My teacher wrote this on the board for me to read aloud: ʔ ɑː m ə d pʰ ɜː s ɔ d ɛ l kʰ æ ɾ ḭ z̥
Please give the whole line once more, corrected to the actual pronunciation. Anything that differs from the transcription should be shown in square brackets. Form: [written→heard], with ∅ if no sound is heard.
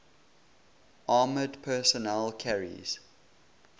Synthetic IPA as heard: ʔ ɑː m ə d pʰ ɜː s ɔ [d→n] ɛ l kʰ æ [ɾ→ɹ] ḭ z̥